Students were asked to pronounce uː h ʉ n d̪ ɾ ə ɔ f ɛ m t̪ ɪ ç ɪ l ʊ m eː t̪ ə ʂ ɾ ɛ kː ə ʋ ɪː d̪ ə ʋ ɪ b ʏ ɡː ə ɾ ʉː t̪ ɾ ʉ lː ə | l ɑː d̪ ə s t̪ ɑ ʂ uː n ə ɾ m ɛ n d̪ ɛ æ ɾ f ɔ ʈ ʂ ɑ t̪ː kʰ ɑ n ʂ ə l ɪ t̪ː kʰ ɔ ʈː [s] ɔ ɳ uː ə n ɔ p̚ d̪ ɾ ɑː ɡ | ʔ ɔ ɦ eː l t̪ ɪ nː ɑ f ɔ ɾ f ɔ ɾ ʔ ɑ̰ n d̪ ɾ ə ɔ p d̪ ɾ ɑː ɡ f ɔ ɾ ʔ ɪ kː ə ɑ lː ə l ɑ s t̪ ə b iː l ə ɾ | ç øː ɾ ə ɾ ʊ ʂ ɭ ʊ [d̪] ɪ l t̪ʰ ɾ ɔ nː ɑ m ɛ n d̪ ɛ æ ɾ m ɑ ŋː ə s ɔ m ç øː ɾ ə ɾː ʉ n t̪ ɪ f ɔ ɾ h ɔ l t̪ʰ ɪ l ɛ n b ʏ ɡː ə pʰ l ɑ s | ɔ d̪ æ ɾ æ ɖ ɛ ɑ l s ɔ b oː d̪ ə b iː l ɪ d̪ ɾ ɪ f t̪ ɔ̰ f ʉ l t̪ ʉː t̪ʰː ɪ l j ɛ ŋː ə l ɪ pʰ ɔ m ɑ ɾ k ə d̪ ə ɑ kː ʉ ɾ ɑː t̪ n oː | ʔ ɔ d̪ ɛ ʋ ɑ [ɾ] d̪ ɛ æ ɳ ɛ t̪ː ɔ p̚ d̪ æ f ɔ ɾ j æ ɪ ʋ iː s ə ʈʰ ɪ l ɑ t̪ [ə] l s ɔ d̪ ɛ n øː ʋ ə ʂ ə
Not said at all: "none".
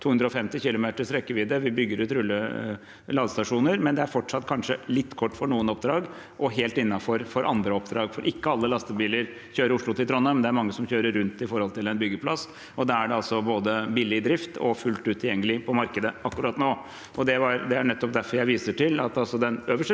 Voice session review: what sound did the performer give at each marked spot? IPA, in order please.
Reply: f, t̪, ɾ, ɑ

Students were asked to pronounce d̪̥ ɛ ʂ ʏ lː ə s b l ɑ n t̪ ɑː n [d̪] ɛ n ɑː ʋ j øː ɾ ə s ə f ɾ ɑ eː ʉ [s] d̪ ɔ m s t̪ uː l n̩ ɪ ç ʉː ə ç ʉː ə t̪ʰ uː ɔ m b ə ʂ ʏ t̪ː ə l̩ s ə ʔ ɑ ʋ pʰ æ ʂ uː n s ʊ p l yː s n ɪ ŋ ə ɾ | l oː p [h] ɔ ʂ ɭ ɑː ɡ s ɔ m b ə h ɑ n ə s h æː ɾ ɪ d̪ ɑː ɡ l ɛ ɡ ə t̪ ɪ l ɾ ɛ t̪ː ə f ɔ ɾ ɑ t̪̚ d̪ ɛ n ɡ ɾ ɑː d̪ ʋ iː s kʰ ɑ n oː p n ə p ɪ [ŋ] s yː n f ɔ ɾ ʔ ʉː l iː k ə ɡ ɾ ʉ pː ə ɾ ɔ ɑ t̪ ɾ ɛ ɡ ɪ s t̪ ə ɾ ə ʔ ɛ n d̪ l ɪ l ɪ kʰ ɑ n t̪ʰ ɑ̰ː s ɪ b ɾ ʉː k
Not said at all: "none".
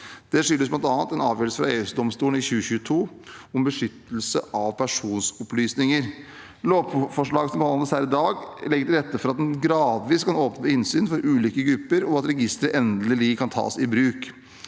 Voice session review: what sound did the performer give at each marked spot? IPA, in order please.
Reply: t̪, s, f, n

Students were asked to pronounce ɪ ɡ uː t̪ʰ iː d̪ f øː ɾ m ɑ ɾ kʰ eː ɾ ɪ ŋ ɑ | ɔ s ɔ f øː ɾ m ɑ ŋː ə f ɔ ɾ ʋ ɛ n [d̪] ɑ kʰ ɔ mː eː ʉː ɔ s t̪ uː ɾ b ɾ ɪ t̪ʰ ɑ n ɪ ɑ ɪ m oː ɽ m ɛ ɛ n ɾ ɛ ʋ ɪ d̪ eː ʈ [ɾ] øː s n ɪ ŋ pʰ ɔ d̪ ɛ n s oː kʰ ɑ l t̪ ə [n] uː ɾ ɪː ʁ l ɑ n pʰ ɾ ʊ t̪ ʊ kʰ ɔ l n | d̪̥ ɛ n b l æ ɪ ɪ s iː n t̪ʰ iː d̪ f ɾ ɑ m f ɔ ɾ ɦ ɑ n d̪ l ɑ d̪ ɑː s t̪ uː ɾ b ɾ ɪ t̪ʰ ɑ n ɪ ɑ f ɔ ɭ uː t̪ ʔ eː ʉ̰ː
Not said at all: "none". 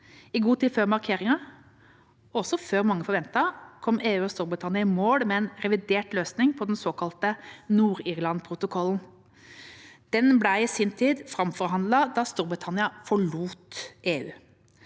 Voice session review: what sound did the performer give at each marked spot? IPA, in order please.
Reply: t̪, l, n

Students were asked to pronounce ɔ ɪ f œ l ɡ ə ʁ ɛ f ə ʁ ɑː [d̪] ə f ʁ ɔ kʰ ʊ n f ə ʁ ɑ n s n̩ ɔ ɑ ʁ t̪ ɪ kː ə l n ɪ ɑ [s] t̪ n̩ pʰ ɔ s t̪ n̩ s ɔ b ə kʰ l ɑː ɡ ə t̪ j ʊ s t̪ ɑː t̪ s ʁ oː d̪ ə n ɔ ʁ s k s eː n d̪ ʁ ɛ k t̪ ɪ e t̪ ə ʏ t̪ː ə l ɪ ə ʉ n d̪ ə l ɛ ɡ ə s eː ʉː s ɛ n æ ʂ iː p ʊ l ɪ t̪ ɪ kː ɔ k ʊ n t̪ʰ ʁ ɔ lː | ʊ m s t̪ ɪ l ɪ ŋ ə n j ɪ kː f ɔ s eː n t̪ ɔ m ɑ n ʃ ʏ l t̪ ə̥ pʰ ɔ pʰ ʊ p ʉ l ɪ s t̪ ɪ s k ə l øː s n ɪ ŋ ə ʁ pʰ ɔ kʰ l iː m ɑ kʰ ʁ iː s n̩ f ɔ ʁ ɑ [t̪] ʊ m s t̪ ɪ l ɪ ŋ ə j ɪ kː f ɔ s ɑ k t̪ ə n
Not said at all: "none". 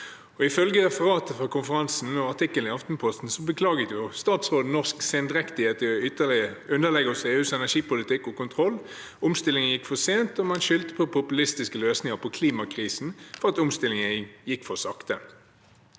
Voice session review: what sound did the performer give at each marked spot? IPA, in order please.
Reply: t̪, f, t̪

